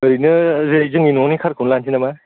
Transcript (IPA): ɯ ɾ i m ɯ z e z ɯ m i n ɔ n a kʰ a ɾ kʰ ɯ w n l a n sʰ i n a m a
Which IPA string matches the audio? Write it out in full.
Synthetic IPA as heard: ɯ ɾ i n ɯ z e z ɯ ŋ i n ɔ n i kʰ a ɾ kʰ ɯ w n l a n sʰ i n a m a